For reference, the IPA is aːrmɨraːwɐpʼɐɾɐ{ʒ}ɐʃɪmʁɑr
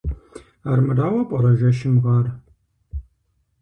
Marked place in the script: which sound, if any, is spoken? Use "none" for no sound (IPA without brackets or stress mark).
ʒ